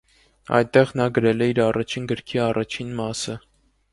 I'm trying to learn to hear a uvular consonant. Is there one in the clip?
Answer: yes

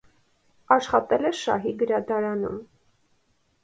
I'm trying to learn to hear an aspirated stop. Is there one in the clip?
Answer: no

